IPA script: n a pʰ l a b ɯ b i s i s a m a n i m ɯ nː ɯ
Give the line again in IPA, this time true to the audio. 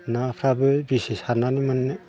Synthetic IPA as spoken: n a pʰ ɾ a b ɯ b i s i s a n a n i m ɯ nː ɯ